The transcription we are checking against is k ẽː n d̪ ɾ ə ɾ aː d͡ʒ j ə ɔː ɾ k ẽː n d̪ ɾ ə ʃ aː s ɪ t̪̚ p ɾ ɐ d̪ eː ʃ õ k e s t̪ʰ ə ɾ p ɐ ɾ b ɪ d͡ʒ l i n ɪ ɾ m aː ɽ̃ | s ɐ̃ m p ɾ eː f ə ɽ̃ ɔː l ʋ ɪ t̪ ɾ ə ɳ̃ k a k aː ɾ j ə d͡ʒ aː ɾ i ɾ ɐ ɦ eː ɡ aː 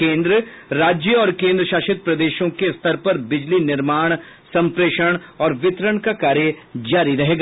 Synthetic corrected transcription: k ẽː n d̪ ɾ ə ɾ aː d͡ʒ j ə ɔː ɾ k ẽː n d̪ ɾ ə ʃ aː ʃ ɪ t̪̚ p ɾ ɐ d̪ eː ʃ õ k e s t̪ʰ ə ɾ p ɐ ɾ b ɪ d͡ʒ l i n ɪ ɾ m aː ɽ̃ | s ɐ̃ m p ɾ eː ʃ ə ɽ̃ ɔː ɾ ʋ ɪ t̪ ɾ ə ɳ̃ k a k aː ɾ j ə d͡ʒ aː ɾ i ɾ ɐ ɦ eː ɡ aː